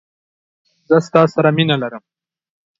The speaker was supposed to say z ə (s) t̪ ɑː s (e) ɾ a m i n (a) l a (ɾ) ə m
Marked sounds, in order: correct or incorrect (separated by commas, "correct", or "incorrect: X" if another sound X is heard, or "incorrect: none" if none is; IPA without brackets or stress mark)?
correct, incorrect: a, correct, correct